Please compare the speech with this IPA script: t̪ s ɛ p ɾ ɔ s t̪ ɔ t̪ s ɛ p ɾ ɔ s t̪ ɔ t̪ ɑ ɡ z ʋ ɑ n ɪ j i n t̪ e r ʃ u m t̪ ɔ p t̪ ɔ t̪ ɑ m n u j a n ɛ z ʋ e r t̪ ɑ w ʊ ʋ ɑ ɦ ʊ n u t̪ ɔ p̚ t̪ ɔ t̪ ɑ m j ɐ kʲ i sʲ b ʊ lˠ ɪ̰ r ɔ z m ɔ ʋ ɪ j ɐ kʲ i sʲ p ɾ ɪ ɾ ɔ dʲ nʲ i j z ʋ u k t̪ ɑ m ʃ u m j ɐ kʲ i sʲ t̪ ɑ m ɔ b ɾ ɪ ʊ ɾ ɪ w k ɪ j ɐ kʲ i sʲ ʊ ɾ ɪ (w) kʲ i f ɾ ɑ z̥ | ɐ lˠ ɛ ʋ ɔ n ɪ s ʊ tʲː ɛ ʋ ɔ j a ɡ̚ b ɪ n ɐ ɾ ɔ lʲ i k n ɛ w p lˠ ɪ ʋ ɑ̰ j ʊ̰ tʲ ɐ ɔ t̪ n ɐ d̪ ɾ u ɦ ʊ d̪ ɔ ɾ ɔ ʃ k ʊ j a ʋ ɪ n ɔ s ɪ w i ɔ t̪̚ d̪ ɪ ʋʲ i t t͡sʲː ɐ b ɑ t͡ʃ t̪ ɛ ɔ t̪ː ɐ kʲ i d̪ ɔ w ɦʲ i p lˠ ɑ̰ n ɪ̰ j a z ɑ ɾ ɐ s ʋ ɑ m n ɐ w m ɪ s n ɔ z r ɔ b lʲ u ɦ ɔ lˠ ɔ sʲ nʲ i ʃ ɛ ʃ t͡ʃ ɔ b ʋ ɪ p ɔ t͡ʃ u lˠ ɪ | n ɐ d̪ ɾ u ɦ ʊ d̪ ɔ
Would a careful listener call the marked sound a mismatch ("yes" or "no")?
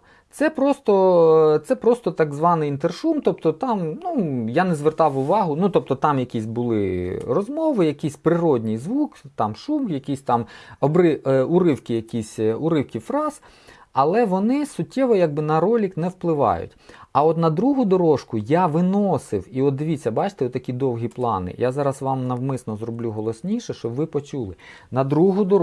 no